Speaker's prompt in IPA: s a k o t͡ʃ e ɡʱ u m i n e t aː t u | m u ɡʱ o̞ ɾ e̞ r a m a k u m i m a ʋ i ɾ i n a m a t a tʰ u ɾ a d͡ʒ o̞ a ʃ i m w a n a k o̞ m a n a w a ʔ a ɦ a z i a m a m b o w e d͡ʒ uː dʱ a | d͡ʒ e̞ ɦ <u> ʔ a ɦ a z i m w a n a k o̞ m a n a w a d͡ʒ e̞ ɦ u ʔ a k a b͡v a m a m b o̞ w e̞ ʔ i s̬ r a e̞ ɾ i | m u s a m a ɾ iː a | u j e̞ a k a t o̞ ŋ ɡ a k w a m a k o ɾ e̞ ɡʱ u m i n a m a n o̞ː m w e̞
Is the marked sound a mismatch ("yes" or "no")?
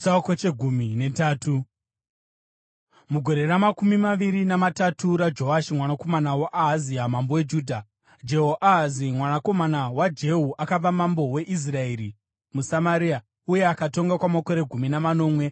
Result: yes